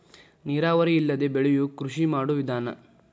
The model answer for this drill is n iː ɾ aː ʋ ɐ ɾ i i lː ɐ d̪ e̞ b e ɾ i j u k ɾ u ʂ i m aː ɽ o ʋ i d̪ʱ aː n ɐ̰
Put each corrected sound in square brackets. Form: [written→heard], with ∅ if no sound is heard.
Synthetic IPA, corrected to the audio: n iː ɾ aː ʋ ɐ ɾ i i lː ɐ d̪ e̞ b e [ɾ→ɭ] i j u k ɾ u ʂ i m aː ɽ [o→u] ʋ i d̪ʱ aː n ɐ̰